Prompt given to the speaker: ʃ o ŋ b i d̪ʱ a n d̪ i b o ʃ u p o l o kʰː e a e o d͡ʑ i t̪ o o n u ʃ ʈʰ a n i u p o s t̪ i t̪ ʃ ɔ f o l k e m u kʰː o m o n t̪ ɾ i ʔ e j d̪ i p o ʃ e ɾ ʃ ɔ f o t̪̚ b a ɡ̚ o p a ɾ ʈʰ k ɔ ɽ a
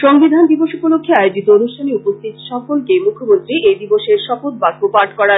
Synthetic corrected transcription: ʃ o ŋ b i d̪ʱ a n d̪ i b o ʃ u p o l o kʰː e a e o d͡ʑ i t̪ o o n u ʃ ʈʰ a n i u p o s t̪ i t̪ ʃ ɔ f o l k e m u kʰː o m o n t̪ ɾ i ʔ e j d̪ i b o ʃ e ɾ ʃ ɔ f o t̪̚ b a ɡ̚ o p a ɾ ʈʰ k ɔ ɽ a